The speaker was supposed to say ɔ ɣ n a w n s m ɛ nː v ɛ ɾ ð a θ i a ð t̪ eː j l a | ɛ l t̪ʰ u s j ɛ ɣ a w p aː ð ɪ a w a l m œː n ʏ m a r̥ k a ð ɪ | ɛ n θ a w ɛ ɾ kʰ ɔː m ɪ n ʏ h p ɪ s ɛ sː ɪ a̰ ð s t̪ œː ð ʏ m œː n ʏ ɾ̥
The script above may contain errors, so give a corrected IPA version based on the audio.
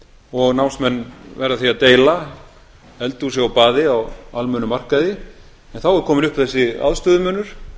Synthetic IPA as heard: ɔ ɣ n a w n s m ɛ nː v ɛ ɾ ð a θ i a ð t̪ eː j l a | ɛ l t̪ u s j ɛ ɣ a w p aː ð ɪ a w a l m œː n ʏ m a r̥ k a ð ɪ | ɛ n θ a w ɛ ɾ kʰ ɔː m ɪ n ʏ h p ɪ θ ɛ sː ɪ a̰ ð s t̪ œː ð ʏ m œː n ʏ ɾ̥